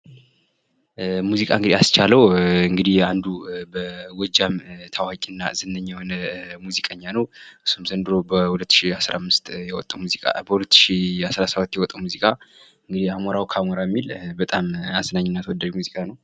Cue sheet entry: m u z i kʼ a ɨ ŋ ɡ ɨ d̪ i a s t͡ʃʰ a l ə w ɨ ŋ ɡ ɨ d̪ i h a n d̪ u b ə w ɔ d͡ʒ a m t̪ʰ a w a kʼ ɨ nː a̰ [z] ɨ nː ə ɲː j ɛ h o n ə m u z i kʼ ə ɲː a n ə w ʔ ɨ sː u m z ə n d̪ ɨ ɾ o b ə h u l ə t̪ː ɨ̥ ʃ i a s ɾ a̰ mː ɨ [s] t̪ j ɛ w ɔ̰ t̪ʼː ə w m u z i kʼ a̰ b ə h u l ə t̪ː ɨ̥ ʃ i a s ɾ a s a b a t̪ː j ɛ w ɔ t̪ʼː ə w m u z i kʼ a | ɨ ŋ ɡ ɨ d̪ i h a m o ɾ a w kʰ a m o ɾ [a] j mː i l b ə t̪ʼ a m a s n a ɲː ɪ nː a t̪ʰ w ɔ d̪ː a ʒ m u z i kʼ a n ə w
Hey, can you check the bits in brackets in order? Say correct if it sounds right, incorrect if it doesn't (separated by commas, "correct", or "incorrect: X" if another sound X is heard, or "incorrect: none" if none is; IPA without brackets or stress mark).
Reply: correct, correct, correct